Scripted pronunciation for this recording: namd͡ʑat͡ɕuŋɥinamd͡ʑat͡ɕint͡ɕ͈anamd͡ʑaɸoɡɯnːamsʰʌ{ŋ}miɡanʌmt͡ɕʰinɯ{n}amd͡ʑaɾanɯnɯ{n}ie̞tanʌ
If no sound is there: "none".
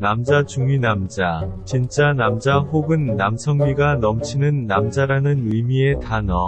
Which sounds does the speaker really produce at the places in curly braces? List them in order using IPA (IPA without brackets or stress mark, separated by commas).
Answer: ŋ, nː, m